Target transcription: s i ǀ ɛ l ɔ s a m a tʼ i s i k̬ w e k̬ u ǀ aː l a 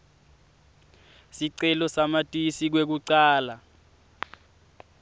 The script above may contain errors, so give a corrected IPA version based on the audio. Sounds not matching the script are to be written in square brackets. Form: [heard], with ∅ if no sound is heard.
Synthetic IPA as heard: s i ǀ ɛ l ɔ s a m a tʼ i s i k̬ w e k̬ u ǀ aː l a